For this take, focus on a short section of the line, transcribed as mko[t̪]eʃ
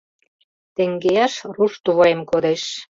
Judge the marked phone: incorrect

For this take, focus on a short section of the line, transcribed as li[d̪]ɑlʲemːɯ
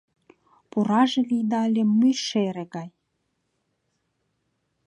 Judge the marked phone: correct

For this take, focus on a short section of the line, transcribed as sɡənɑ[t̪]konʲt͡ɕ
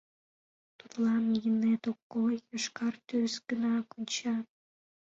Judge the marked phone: incorrect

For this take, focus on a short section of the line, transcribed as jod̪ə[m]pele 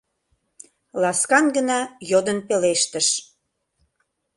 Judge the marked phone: incorrect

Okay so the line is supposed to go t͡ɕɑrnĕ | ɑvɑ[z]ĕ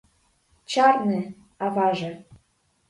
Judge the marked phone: incorrect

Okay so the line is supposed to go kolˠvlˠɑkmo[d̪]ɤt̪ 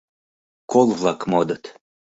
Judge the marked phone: correct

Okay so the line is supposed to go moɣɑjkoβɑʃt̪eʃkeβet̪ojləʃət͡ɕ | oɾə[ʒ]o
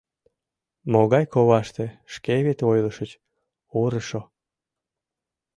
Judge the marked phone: incorrect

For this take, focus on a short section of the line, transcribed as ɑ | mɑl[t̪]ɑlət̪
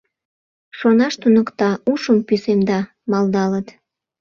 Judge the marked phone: incorrect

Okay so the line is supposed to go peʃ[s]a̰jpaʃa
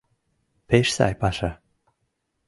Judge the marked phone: correct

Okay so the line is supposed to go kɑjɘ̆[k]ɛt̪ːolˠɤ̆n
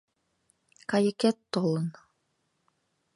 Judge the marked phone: correct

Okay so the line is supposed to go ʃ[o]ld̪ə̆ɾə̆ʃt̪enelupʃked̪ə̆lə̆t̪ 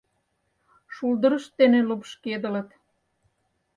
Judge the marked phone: incorrect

